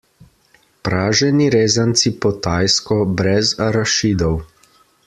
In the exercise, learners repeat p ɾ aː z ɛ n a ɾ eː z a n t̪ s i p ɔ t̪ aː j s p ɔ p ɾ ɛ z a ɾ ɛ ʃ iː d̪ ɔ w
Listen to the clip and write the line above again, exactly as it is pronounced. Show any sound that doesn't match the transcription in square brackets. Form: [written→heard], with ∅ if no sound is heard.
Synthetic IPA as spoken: p ɾ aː [z→ʒ] ɛ n [a→i] ɾ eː z a n t̪ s i p ɔ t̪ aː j s [p→k] ɔ [p→b] ɾ ɛ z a ɾ [ɛ→a] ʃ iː d̪ ɔ w